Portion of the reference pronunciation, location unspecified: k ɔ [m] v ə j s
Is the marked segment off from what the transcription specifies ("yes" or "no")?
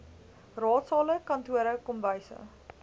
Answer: no